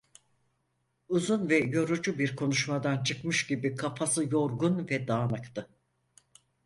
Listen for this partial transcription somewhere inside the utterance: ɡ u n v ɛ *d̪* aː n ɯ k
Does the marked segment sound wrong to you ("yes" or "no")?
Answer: no